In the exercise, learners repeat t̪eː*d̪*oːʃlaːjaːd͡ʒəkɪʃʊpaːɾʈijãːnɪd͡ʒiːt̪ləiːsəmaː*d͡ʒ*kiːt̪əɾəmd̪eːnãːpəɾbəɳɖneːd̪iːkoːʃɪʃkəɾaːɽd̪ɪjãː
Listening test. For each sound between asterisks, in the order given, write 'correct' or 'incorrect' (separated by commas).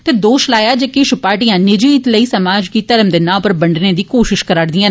correct, correct